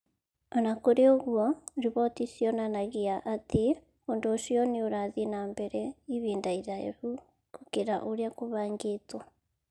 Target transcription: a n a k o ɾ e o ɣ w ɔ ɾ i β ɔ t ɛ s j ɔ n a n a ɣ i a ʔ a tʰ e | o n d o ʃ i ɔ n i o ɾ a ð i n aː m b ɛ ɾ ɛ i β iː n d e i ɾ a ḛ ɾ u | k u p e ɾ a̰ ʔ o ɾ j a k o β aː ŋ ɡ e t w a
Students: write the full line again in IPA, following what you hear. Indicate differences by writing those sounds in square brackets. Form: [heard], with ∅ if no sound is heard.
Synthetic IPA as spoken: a n a k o ɾ e o ɣ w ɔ ɾ i β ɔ t [i] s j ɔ n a n a ɣ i a ʔ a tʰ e | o n d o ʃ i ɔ n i o ɾ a ð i n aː m b ɛ ɾ ɛ i β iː n d [a] i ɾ a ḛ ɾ u | k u [k] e ɾ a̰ ʔ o ɾ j a k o β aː ŋ ɡ e t w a